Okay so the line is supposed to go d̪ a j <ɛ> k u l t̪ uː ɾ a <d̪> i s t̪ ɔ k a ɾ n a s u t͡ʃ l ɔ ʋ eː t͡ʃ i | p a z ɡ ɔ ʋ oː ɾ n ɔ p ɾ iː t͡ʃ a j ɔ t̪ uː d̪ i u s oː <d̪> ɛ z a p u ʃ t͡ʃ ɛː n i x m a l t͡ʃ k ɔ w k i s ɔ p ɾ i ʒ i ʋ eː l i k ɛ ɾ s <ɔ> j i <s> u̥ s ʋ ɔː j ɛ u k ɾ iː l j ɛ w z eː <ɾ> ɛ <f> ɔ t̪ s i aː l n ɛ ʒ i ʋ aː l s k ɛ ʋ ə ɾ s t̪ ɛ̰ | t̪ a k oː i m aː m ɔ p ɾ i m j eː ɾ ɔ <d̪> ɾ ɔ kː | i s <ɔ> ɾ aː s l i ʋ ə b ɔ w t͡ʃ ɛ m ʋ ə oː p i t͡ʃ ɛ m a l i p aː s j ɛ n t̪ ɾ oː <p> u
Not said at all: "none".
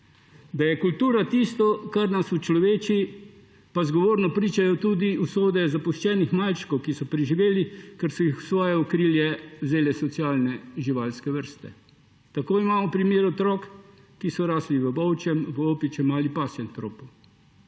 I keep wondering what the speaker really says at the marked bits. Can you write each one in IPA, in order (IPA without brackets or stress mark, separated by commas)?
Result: ɛ, t̪, d̪, ɔ, x, l, s, t̪, ɔ, p